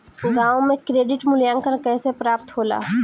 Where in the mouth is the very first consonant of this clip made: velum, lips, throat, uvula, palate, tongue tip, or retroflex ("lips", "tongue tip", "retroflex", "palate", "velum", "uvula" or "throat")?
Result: velum